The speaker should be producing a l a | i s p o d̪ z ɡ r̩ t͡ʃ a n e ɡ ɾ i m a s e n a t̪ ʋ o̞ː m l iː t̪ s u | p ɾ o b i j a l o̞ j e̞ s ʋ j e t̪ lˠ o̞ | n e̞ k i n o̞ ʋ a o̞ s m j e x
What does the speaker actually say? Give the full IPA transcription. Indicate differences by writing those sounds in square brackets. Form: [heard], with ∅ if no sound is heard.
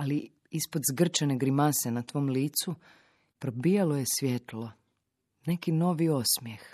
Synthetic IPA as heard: a l [i] | i s p o d̪ z ɡ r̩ t͡ʃ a n e ɡ ɾ i m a s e n a t̪ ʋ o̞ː m l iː t̪ s u | p ɾ o b i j a l o̞ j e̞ s ʋ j e t̪ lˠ o̞ | n e̞ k i n o̞ ʋ [i] o̞ s m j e x